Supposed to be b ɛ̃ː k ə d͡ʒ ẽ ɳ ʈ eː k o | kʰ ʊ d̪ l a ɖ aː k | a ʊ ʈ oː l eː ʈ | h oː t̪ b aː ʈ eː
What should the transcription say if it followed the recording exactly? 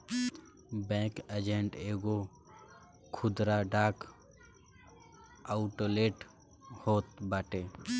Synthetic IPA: b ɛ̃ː k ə d͡ʒ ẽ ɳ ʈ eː ɡ o | kʰ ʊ d̪ ɾ a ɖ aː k | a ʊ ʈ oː l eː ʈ | h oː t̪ b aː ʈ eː